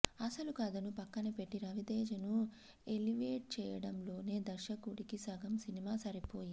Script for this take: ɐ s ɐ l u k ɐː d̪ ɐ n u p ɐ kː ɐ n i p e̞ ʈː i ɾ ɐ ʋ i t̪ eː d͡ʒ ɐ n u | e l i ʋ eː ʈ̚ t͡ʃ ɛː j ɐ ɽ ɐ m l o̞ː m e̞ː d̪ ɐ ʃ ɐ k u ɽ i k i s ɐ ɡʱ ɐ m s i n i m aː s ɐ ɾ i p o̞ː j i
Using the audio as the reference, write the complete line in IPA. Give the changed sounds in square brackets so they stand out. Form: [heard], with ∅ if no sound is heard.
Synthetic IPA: ɐ s ɐ l u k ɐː d̪ ɐ n u p ɐ kː ɐ n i p e̞ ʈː i ɾ ɐ ʋ i [d̪] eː d͡ʒ ɐ n u | e l i ʋ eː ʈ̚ t͡ʃ ɛː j ɐ ɽ ɐ m l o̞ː [n] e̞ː d̪ ɐ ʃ ɐ k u ɽ i k i s ɐ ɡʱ ɐ m s i n i m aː s ɐ ɾ i p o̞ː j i